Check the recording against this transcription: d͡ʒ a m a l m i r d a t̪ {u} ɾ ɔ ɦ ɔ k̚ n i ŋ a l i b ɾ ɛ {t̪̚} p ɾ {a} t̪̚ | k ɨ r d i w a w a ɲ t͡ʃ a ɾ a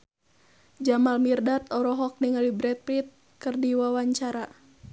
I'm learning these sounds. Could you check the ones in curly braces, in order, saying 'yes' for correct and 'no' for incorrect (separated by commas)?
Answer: no, yes, no